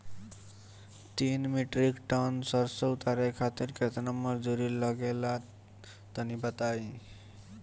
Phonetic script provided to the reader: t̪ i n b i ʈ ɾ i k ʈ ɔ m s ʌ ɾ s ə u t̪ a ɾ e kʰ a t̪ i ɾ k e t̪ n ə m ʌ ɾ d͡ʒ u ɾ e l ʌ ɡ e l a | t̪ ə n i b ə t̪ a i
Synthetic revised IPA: t̪ i n m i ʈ ɾ i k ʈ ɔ n s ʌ ɾ s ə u t̪ a ɾ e kʰ a t̪ i ɾ k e t̪ n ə m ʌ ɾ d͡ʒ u ɾ i l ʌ ɡ e l a | t̪ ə n i b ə t̪ a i